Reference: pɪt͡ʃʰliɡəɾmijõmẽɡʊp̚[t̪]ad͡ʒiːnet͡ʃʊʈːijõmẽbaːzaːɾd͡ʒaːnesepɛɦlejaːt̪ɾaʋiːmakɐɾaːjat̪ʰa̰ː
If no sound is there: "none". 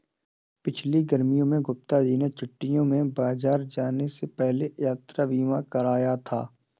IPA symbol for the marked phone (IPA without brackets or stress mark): t̪